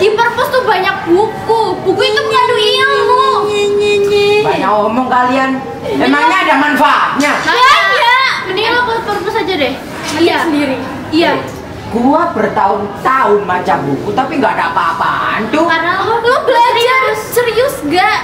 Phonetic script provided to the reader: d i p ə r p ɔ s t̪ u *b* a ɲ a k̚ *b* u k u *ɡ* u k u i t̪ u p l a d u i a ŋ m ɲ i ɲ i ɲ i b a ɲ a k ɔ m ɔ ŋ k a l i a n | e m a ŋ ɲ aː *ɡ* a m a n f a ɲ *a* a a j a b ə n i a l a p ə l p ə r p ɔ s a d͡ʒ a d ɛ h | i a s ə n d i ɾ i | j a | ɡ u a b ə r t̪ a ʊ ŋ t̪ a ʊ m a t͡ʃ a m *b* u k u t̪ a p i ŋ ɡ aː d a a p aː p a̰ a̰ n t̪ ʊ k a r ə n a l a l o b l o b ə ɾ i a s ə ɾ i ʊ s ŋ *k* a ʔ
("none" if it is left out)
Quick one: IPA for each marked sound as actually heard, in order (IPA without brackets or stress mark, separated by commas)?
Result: b, b, b, d, a, b, ɡ